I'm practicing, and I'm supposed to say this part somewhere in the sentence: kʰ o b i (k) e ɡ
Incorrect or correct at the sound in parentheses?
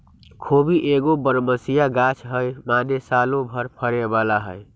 incorrect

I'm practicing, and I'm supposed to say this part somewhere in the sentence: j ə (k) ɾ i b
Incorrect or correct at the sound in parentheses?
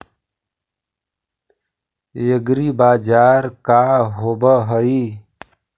incorrect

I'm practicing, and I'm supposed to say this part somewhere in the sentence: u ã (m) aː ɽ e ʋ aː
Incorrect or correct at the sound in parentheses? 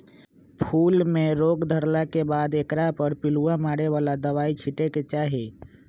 correct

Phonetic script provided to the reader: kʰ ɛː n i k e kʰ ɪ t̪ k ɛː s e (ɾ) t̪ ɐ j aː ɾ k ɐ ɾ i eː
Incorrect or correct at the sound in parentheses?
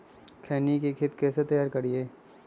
incorrect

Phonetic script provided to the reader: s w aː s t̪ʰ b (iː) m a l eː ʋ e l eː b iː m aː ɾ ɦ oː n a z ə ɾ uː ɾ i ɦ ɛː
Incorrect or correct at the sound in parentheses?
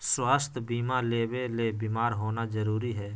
correct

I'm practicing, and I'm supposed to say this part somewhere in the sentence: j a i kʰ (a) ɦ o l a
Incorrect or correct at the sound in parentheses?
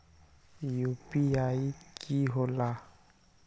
incorrect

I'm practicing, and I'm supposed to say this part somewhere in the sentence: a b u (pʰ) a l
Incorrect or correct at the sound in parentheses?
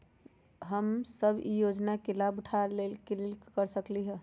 incorrect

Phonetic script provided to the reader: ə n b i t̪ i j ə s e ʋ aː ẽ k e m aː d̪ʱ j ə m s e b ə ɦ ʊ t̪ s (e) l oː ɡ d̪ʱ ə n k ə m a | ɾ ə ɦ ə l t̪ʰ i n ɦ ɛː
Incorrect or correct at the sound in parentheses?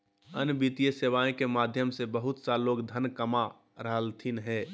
incorrect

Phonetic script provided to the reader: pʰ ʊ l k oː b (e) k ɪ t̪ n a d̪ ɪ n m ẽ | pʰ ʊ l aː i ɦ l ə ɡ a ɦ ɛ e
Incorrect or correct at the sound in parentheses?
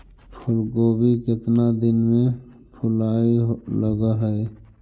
incorrect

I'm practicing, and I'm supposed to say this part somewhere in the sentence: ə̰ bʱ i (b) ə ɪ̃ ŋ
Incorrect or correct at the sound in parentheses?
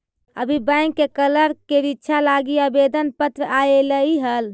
correct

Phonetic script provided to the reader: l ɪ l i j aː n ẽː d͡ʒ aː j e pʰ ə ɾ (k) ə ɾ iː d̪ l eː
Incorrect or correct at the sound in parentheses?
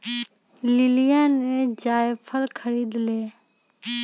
incorrect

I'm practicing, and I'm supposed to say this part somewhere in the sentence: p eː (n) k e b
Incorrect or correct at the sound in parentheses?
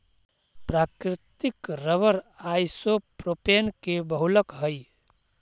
correct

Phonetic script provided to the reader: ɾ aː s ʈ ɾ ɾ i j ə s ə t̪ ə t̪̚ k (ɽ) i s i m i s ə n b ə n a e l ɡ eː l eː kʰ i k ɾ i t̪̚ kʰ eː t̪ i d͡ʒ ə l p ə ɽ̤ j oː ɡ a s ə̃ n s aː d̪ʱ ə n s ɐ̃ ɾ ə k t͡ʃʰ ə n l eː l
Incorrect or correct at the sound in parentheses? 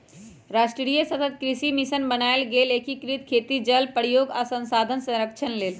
incorrect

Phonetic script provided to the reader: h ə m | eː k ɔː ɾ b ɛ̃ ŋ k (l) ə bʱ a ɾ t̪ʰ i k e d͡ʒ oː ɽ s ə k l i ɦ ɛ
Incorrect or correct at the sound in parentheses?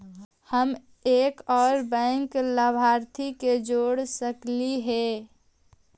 correct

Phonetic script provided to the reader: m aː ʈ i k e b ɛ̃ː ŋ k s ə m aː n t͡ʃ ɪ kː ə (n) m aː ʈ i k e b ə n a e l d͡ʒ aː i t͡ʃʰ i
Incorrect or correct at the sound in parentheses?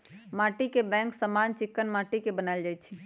correct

